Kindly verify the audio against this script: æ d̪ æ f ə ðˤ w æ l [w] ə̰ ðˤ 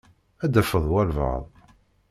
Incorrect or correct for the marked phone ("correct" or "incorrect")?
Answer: incorrect